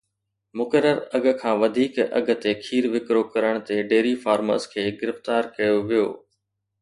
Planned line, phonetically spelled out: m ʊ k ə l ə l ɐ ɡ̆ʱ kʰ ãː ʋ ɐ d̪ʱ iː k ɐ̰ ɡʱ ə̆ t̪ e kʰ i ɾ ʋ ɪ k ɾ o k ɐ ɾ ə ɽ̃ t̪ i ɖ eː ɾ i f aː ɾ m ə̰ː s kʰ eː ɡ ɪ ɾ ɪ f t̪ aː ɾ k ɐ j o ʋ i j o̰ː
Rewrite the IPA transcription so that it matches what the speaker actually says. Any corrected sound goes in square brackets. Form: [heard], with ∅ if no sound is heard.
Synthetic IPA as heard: m ʊ k ə [ɾ] ə [ɾ] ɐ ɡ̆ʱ kʰ ãː ʋ ɐ d̪ʱ iː k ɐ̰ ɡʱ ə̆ t̪ e kʰ [iː] ɾ ʋ ɪ k ɾ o k ɐ ɾ ə ɽ̃ t̪ [e] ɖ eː ɾ i f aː ɾ m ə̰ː s kʰ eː ɡ ɪ ɾ ɪ f t̪ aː ɾ k ɐ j o ʋ i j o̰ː